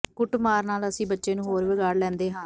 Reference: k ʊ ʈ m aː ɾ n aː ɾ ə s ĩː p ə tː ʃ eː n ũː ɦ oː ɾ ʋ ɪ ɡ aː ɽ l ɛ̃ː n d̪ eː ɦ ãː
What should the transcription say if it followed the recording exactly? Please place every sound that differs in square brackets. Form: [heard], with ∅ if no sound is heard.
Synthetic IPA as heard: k ʊ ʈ m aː ɾ n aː [l] ə s ĩː [b] ə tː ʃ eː n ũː ɦ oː ɾ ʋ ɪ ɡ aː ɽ l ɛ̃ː n d̪ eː ɦ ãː